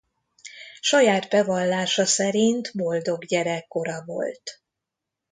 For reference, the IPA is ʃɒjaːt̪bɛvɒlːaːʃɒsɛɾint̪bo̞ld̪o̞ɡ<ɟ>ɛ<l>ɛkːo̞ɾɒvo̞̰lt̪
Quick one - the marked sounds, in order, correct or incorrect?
correct, incorrect

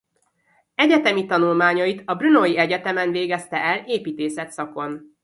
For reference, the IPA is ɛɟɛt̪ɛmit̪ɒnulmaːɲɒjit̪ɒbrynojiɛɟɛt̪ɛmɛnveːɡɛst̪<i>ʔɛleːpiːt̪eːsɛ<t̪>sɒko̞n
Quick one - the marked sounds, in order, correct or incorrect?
incorrect, correct

